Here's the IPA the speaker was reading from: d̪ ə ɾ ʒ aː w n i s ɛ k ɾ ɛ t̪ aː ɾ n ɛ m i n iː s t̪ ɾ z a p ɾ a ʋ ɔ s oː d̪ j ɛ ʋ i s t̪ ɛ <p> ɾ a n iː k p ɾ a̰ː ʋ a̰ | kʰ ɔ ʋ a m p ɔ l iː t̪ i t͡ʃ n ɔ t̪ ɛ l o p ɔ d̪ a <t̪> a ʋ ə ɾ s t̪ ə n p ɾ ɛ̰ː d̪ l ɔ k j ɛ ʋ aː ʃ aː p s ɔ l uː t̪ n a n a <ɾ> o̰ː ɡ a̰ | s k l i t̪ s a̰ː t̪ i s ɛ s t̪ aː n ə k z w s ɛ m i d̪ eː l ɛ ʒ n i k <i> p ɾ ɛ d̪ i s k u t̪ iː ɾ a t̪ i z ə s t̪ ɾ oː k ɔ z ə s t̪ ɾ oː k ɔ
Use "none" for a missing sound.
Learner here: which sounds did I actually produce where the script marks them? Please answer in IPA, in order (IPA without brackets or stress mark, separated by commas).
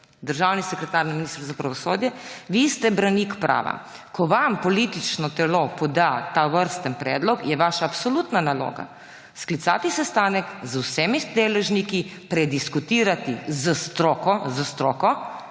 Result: b, t̪, l, i